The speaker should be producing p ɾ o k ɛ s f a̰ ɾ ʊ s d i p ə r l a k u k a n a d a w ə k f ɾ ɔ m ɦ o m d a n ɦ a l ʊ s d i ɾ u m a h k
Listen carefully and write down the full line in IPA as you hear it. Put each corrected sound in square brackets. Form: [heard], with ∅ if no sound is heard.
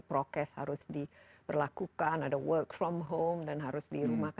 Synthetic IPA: p ɾ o k ɛ s [h] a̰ ɾ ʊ s d i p ə r l a k u k a n a d a w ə k f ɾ ɔ m ɦ o m d a n ɦ a [ɾ] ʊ s d i ɾ u m a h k